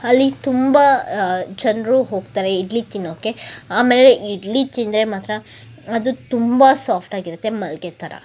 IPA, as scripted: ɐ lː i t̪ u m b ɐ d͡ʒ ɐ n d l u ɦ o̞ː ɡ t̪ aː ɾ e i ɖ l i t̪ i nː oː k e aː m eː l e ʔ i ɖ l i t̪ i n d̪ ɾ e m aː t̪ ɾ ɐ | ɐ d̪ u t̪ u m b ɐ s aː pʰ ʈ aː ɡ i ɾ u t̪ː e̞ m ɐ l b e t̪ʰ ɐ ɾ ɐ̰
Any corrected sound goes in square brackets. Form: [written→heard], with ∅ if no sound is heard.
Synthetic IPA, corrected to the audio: ɐ lː i t̪ u m b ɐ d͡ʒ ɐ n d [l→ɾ] u ɦ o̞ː ɡ t̪ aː ɾ e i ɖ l i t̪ i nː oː k e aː m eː l e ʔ i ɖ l i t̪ i n d̪ ɾ e m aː t̪ ɾ ɐ | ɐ d̪ u t̪ u m b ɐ s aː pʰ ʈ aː ɡ i ɾ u t̪ː e̞ m ɐ l [b→ɡ] e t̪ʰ ɐ ɾ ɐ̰